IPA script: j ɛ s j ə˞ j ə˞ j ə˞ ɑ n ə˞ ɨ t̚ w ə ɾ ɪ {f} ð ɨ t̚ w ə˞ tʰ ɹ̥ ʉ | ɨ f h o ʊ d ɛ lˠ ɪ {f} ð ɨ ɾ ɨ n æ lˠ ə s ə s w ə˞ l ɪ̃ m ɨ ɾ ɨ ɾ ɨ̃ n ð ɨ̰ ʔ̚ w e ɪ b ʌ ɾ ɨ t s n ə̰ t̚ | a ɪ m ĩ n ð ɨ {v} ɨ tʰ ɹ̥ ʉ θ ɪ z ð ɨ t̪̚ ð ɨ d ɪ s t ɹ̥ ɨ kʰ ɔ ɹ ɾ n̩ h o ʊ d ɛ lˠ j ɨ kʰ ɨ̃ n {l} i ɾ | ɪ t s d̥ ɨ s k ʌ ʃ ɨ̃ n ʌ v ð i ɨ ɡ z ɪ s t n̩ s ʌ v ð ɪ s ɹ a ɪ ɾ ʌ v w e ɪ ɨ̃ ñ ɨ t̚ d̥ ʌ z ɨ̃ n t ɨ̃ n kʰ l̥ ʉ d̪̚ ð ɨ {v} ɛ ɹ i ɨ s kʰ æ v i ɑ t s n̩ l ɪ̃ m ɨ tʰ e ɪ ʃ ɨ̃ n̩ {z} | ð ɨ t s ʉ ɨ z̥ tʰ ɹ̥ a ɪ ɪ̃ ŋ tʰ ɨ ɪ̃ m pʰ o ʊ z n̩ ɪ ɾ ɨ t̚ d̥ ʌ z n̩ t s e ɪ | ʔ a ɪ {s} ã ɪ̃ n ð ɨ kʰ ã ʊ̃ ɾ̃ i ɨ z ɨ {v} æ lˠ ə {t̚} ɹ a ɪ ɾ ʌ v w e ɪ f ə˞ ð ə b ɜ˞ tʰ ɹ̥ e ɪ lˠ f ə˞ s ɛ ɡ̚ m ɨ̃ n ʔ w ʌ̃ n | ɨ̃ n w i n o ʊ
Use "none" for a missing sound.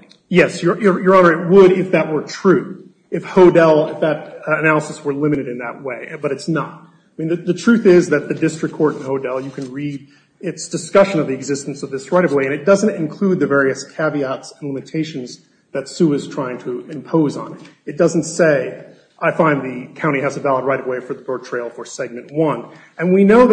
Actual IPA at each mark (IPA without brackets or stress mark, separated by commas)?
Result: f, f, ð, ɹ, v, z, f, v, d̚